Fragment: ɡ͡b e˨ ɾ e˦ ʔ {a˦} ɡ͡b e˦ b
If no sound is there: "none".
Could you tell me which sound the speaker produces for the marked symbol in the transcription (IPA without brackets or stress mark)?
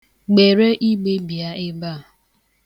i˦